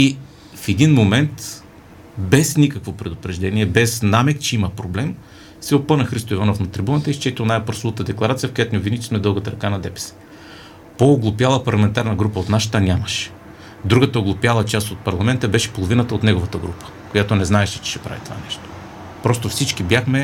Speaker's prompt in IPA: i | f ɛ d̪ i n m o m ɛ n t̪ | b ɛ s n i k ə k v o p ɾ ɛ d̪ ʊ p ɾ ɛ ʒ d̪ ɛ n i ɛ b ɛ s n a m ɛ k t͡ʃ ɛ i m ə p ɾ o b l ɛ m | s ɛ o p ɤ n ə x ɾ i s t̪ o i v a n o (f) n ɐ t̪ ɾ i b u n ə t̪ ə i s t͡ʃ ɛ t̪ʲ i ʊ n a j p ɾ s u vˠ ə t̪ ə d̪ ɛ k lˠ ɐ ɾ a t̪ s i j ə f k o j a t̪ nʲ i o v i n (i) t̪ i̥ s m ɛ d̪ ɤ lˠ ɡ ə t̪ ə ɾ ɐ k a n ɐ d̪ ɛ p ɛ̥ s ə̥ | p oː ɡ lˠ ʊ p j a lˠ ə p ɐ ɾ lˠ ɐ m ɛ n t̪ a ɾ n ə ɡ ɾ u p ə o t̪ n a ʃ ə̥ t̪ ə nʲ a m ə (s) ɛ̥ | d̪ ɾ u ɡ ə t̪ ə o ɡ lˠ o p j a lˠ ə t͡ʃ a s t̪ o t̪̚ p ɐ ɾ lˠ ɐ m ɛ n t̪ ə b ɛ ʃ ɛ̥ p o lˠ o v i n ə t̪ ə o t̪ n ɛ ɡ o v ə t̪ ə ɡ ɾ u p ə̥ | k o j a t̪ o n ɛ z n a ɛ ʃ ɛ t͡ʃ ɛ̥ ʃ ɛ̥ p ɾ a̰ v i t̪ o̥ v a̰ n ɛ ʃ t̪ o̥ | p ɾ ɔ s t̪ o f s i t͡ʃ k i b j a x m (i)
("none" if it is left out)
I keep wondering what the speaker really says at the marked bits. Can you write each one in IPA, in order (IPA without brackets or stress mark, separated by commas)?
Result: f, i, ʃ, ɛ